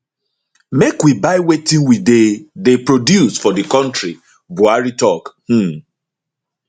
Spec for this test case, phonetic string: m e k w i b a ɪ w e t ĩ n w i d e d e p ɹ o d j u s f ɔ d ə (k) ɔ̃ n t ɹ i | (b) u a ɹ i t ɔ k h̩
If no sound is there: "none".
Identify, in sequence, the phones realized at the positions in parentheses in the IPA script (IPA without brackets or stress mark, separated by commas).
k, b